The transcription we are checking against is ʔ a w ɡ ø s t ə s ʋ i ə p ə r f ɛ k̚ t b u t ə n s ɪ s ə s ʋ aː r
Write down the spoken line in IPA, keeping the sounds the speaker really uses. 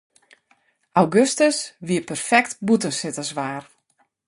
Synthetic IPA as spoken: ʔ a w ɡ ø s t ə s ʋ i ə p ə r f ɛ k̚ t b u t ə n s ɪ t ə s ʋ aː r